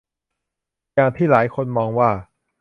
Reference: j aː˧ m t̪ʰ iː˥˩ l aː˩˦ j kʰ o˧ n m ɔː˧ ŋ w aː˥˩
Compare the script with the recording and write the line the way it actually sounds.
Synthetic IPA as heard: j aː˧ ŋ t̪ʰ iː˥˩ l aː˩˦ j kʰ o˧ n m ɔː˧ ŋ w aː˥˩